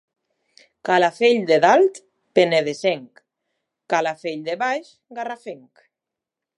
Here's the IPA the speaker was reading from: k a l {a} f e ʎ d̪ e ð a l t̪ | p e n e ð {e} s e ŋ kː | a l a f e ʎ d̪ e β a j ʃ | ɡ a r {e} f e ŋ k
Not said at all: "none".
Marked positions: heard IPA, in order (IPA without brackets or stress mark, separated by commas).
a, e, a